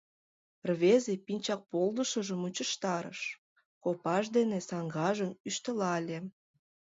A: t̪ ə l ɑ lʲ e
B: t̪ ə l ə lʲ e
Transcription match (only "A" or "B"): A